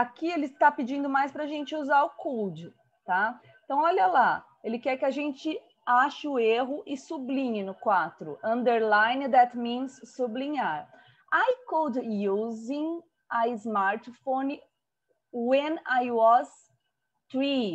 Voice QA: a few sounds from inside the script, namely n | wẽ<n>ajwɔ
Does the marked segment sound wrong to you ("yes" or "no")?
no